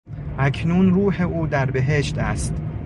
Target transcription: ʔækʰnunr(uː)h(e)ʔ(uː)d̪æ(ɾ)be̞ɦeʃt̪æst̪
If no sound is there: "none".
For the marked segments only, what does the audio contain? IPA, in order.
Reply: uː, e, uː, ɾ

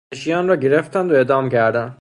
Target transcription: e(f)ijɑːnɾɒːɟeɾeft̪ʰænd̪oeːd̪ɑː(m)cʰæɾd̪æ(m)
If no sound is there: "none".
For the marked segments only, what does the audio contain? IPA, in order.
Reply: ʃ, m, n

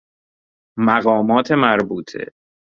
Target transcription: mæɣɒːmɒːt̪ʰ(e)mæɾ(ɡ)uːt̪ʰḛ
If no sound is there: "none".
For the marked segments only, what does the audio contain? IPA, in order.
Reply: e, b

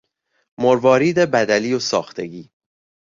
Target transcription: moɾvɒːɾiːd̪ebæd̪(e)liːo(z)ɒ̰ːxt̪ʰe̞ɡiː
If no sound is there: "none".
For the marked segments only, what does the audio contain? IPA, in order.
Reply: æ, s

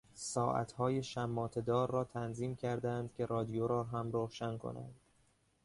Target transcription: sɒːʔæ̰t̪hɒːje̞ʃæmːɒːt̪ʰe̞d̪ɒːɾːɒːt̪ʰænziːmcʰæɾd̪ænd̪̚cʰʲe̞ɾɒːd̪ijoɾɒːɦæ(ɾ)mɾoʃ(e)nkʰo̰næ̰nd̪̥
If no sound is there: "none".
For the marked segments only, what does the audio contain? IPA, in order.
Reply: none, æ

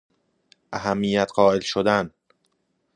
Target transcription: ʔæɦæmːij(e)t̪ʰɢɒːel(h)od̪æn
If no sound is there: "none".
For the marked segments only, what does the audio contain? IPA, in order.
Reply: æ, ʃ

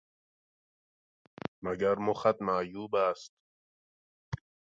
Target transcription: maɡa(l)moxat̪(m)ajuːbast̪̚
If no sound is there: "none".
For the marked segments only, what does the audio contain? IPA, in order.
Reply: ɾ, m

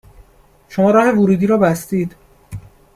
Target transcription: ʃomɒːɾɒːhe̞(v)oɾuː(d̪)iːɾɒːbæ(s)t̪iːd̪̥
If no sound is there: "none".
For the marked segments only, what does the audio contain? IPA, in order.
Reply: v, d̪, s

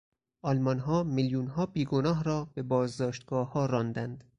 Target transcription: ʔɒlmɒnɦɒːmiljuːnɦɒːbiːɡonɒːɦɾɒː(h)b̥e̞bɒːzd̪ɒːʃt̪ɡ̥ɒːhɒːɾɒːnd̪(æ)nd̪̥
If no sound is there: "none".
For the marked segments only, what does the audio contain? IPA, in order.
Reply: none, æ

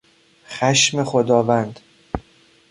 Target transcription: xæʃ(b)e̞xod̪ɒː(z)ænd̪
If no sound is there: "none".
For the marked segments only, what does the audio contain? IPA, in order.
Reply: m, v

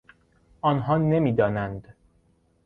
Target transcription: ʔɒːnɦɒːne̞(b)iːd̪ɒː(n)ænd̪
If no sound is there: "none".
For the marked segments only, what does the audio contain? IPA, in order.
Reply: m, n

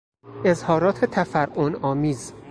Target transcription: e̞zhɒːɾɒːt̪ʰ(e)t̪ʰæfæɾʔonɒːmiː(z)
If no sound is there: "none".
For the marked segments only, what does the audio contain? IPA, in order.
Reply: e, z

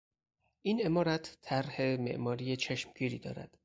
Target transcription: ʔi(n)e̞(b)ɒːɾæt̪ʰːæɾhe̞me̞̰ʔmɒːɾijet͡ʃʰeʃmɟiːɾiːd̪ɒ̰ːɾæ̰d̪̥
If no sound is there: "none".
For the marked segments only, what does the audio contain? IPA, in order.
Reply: n, m

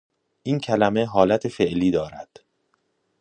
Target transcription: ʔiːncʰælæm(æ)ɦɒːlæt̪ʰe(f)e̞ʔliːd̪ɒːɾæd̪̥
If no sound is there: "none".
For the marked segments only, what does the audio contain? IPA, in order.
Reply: e, f

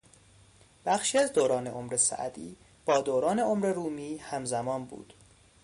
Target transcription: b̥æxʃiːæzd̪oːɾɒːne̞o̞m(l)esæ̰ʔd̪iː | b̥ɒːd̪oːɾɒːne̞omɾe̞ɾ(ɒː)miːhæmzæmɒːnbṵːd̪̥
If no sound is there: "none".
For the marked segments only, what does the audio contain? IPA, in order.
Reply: ɾ, uː

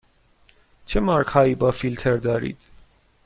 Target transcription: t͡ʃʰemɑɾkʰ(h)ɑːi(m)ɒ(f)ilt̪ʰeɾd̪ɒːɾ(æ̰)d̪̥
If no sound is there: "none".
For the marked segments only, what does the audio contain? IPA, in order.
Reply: h, b, f, ḭ

